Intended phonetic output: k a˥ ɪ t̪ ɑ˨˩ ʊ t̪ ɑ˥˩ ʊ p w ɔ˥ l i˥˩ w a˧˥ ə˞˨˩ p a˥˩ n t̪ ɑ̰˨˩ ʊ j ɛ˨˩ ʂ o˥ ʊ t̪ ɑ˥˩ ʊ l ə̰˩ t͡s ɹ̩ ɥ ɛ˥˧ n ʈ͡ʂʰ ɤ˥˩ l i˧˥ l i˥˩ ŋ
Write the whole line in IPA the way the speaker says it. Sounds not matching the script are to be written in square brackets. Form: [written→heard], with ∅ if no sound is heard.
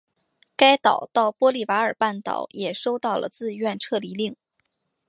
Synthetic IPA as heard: k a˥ ɪ t̪ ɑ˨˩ ʊ t̪ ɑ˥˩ ʊ p w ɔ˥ l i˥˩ w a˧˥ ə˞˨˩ p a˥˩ n t̪ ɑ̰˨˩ ʊ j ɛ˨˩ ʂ o˥ ʊ t̪ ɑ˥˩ ʊ l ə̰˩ t͡s ɹ̩ ɥ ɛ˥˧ n ʈ͡ʂʰ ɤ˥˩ l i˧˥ l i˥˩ ŋ

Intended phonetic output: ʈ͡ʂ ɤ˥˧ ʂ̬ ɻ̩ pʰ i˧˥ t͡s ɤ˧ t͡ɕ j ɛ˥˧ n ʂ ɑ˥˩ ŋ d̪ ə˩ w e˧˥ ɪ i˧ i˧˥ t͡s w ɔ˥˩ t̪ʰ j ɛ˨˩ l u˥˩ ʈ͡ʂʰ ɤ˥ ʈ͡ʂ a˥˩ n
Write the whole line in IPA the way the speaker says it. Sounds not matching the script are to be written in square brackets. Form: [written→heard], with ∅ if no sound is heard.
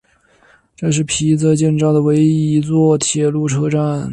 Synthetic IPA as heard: ʈ͡ʂ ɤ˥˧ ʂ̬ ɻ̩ pʰ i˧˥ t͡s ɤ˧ t͡ɕ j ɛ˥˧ n [ʂ→ʈ͡ʂ] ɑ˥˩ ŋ d̪ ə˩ w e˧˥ ɪ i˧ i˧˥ t͡s w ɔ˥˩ t̪ʰ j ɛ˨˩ l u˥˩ ʈ͡ʂʰ ɤ˥ ʈ͡ʂ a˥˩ n

